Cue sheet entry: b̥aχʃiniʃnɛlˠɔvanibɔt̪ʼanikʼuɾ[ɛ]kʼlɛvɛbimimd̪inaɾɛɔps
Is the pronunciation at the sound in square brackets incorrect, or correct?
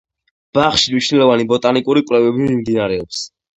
incorrect